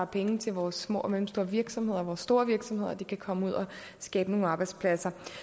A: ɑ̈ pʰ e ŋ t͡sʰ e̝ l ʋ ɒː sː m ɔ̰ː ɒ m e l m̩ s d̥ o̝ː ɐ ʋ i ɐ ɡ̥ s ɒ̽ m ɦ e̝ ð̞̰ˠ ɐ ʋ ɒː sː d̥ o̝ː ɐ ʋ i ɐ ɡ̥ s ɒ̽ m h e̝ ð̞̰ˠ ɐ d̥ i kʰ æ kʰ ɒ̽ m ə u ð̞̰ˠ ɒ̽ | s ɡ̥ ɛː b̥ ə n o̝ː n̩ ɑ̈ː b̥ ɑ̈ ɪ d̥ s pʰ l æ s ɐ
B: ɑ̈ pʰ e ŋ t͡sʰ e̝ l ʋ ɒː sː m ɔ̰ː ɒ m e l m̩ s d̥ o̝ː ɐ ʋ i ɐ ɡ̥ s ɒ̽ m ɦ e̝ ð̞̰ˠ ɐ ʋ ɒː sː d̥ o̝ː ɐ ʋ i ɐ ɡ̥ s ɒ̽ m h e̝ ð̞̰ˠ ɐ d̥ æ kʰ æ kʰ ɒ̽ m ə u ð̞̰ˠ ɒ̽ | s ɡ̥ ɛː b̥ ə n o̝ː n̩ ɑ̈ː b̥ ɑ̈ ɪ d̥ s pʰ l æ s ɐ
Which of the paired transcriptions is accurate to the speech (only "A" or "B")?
A